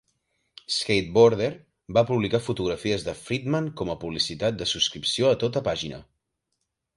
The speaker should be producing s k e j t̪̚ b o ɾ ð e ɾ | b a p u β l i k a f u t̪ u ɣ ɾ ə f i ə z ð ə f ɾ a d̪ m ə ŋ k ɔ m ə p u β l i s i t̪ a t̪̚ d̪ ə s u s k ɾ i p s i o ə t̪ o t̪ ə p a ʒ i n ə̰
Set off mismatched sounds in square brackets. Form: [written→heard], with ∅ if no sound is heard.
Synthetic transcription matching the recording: s k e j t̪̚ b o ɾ ð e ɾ | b a p u β l i k a f u t̪ u ɣ ɾ ə f i ə z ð ə f ɾ [a→i] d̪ m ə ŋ k ɔ m ə p u β l i s i t̪ a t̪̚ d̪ ə s u s k ɾ i p s i o ə t̪ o t̪ ə p a ʒ i n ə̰